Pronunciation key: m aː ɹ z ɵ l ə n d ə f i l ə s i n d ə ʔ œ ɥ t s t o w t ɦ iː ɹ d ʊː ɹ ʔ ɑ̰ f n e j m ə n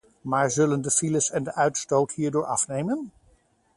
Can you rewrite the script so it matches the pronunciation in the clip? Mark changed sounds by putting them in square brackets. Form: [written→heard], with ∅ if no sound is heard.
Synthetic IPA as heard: m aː ɹ z ɵ l ə n d ə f i l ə s [i→ɛ] n d ə ʔ œ ɥ t s t o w t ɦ iː ɹ d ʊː ɹ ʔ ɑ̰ f n e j m ə n